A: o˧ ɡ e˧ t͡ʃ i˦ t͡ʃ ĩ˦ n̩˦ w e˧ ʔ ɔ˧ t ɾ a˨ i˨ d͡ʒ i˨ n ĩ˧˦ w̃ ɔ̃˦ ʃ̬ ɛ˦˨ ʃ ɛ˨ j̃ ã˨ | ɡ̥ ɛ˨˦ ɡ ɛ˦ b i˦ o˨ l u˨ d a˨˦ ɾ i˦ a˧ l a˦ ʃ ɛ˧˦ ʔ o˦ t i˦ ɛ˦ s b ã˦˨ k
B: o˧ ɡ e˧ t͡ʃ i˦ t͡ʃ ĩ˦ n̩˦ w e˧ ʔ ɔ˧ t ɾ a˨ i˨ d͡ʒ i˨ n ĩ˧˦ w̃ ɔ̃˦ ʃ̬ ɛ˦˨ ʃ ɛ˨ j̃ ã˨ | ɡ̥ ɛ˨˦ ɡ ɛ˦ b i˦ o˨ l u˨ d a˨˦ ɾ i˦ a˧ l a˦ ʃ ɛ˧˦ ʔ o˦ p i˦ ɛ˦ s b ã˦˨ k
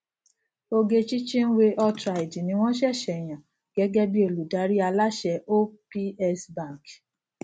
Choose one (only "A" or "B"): B